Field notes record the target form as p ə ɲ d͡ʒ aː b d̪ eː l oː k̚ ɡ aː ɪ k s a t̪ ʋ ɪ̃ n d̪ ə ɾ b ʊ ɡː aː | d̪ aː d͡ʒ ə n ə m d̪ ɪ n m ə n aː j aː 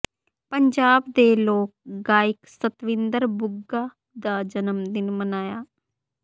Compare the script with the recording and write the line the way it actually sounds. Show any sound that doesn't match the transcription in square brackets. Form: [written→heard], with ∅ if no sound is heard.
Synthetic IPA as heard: p ə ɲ d͡ʒ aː b d̪ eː l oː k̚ ɡ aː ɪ k s [a→ə] t̪ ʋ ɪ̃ n d̪ ə ɾ b ʊ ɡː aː | d̪ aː d͡ʒ ə n ə m d̪ ɪ n m ə n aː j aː